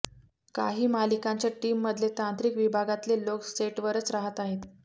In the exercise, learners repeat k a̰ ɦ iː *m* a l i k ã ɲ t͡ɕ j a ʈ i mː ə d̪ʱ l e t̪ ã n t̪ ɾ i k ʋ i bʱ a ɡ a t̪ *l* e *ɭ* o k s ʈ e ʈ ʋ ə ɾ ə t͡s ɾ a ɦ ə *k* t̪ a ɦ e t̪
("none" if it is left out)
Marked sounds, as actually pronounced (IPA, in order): m, l, l, none

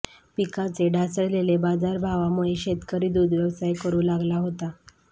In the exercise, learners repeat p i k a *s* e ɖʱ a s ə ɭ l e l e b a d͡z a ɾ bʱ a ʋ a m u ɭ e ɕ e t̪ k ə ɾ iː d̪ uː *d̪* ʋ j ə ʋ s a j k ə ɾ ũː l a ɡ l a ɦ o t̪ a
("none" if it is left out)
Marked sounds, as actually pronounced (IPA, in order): t͡s, d̪

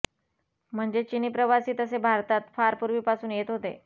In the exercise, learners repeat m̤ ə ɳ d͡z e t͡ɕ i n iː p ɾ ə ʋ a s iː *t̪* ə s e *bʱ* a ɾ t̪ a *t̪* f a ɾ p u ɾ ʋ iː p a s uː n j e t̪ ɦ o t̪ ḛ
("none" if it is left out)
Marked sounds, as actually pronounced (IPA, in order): t̪, bʱ, t̪

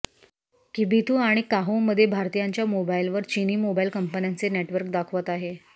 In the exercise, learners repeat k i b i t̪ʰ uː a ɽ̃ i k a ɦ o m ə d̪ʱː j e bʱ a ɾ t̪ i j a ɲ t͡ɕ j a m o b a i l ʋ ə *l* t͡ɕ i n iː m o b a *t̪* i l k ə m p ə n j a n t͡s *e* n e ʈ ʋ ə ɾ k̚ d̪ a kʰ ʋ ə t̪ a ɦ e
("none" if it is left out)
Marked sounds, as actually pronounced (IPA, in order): ɾ, none, e

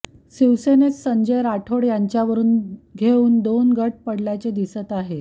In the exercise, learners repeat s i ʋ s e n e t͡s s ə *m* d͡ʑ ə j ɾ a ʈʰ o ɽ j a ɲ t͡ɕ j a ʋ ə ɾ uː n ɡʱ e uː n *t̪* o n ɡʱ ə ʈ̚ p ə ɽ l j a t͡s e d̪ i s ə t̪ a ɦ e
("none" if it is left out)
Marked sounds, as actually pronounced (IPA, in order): ɲ, d̪

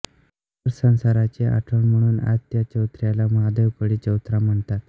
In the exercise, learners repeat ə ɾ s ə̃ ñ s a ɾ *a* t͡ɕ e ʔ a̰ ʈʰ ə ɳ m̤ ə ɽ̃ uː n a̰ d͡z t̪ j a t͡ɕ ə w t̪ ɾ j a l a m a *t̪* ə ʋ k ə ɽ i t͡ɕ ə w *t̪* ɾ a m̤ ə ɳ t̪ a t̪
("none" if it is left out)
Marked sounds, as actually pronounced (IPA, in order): a, d̪, t̪

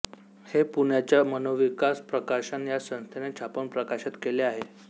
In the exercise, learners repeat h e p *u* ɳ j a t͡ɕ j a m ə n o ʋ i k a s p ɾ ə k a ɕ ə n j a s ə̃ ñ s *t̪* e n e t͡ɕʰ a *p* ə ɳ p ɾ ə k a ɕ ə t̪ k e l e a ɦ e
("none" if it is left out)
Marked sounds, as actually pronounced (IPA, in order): u, t̪ʰ, p

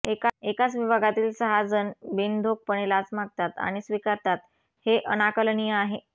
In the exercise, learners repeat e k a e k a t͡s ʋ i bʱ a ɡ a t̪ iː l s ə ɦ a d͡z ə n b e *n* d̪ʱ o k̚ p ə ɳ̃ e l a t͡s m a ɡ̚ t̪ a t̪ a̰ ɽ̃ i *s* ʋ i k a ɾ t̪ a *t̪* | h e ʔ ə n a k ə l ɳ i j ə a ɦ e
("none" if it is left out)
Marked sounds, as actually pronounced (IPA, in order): n, s, t̪

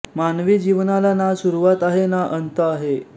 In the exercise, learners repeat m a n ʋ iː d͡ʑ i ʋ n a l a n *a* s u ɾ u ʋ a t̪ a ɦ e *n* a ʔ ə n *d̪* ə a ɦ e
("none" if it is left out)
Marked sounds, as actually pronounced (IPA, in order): a, n, t̪

